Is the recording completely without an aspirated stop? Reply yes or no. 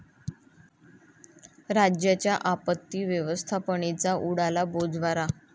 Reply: no